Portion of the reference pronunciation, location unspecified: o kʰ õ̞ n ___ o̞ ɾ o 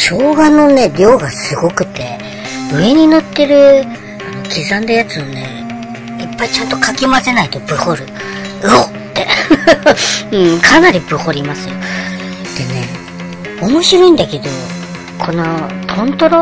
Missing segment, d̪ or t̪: t̪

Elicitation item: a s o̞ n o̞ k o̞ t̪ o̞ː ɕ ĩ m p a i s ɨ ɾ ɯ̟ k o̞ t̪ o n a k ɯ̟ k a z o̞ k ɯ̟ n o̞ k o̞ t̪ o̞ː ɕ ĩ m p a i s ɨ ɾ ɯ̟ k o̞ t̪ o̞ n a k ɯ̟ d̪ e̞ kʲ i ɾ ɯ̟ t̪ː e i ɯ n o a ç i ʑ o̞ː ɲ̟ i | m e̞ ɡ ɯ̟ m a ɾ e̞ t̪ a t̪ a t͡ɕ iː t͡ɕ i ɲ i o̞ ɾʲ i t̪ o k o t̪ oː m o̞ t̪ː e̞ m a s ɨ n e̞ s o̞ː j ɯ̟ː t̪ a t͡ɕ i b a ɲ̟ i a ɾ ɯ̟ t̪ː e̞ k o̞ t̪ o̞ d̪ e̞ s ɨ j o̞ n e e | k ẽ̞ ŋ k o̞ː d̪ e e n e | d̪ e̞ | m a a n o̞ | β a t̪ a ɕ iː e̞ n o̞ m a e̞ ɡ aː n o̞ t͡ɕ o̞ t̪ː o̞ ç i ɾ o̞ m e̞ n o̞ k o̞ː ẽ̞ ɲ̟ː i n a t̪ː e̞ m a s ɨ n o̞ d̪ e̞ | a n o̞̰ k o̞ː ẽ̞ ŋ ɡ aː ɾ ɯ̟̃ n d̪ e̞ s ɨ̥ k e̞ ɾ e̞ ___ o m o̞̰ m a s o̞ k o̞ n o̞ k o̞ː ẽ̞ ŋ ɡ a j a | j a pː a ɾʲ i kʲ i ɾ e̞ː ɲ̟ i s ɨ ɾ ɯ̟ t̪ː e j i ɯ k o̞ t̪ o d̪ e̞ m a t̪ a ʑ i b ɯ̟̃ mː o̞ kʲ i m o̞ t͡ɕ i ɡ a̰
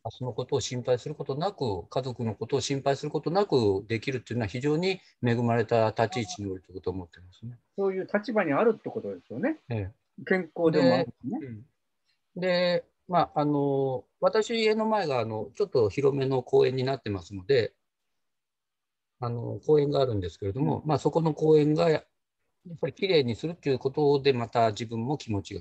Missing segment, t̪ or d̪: d̪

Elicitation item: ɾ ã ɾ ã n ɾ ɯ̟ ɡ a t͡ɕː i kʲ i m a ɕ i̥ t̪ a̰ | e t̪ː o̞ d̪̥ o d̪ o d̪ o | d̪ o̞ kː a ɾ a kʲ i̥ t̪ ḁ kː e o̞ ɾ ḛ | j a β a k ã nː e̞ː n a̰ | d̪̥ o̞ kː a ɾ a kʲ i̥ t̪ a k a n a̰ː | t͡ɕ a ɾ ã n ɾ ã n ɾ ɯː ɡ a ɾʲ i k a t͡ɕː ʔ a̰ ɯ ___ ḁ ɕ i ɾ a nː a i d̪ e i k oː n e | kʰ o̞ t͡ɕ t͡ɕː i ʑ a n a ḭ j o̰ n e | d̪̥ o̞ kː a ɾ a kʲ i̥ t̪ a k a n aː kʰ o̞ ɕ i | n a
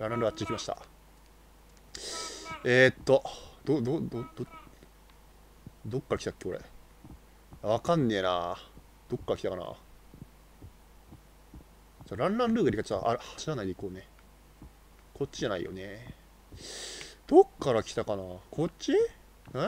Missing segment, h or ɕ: h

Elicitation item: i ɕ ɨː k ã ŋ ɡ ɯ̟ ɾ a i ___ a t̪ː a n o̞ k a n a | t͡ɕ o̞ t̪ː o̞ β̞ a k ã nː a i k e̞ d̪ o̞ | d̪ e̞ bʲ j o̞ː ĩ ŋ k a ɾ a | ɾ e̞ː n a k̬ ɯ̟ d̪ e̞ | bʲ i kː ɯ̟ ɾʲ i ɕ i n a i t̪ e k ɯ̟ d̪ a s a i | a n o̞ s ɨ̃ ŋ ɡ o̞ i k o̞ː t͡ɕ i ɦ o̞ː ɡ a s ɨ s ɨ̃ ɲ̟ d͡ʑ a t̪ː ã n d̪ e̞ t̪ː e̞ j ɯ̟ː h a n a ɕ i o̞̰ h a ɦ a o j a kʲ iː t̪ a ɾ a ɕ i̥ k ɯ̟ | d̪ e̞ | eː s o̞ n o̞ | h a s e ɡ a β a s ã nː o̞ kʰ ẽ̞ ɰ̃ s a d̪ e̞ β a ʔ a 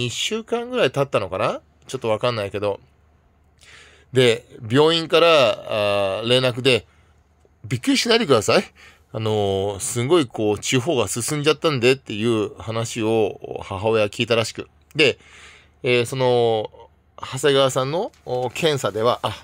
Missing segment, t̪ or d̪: t̪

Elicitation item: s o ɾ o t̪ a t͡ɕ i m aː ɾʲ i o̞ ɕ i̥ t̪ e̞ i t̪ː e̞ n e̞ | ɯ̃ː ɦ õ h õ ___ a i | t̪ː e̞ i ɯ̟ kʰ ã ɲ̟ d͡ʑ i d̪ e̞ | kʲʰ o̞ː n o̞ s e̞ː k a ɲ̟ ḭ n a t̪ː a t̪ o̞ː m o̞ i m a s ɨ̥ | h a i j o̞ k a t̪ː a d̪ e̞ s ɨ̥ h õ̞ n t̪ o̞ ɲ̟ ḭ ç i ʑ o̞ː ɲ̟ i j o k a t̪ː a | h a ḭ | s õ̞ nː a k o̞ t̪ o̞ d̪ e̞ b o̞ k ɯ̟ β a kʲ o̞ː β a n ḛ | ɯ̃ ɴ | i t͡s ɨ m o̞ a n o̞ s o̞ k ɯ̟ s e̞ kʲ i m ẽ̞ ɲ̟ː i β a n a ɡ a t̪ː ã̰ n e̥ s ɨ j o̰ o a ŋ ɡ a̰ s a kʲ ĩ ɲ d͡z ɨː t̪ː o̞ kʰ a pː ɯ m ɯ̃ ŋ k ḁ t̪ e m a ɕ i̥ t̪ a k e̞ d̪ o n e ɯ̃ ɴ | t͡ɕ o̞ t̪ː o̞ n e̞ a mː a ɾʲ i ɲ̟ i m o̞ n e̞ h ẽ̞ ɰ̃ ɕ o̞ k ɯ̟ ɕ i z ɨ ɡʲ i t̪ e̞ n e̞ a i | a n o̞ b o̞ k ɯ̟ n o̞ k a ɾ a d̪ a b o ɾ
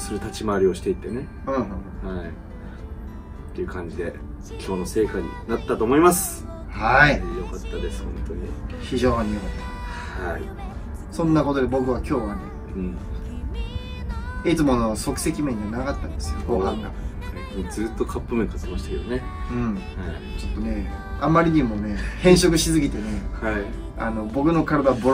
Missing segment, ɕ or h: h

